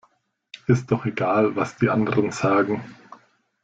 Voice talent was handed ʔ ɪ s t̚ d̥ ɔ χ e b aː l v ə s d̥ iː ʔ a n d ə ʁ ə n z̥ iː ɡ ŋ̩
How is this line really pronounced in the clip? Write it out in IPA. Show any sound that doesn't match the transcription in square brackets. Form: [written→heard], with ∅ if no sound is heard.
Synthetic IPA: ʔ ɪ s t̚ d̥ ɔ χ e [b→ɡ] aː l v [ə→a] s d̥ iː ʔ a n d ə ʁ ə n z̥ [iː→aː] ɡ ŋ̩